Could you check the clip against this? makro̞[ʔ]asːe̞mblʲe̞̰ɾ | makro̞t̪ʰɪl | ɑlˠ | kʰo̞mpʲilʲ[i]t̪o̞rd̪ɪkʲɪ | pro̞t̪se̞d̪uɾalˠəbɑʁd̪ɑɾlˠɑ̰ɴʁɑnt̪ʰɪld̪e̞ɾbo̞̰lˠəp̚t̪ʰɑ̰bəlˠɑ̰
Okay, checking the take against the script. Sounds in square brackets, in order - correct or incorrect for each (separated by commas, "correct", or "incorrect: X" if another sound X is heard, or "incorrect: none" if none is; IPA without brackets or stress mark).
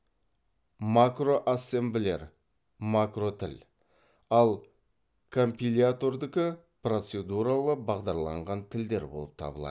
correct, incorrect: a